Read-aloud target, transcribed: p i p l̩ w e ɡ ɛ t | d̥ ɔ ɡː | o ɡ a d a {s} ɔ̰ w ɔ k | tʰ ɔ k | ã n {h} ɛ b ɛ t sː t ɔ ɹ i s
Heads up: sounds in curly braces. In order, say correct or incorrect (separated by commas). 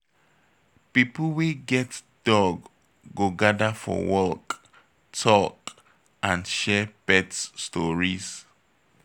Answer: incorrect, incorrect